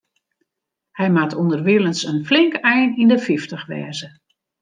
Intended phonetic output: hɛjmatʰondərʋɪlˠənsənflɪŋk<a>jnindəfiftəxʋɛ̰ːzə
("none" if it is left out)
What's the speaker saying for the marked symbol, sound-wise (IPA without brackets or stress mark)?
ɛ